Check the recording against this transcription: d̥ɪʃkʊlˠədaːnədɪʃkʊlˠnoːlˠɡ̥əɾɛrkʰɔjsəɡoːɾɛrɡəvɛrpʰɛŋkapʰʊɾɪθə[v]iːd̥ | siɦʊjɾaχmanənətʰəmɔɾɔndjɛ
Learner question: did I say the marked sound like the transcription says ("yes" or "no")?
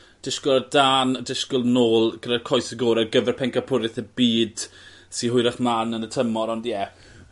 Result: no